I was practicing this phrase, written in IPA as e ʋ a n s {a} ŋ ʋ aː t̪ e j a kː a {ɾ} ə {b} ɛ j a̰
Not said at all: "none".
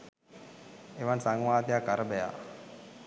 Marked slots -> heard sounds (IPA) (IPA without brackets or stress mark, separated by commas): a, ɾ, b